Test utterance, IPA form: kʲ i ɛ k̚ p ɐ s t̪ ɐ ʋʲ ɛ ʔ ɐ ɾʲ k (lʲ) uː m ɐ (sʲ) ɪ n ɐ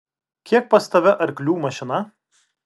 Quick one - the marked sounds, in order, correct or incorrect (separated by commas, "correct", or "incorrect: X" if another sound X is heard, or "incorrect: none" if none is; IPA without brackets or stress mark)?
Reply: correct, incorrect: ʃʲ